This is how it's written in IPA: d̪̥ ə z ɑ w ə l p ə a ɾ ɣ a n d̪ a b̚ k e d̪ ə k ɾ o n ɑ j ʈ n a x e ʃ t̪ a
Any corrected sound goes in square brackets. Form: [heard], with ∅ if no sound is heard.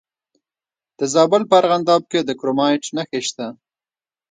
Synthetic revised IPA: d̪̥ ə z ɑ [b] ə l p ə a ɾ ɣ a n d̪ [ɑ] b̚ k e d̪ ə k ɾ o [m] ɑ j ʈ n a x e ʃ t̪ a